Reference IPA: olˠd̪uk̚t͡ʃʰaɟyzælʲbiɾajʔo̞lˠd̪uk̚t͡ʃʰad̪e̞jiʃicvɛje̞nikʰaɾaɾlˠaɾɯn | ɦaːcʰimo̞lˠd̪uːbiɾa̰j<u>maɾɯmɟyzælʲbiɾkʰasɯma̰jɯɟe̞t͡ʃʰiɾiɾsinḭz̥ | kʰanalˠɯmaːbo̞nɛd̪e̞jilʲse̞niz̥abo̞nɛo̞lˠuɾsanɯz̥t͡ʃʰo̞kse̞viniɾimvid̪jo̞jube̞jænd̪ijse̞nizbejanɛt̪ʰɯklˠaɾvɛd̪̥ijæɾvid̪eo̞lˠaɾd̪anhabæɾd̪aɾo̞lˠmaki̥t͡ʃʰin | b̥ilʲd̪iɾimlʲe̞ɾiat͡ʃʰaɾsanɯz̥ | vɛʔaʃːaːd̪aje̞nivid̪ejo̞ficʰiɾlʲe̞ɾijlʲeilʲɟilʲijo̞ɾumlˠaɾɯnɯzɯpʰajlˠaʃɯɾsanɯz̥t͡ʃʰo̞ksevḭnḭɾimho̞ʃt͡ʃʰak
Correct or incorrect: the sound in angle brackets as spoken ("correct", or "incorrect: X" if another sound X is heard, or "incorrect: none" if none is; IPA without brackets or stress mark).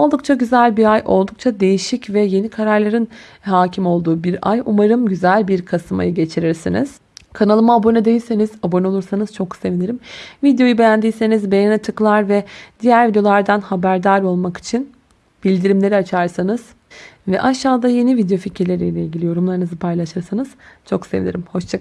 correct